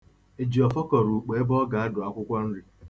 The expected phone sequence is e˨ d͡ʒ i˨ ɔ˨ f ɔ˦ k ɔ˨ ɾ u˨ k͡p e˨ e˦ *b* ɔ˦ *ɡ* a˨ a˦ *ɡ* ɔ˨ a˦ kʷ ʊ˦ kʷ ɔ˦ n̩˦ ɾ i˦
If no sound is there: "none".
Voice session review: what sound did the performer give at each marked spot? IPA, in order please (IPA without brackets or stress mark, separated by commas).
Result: b, ɡ, ɡ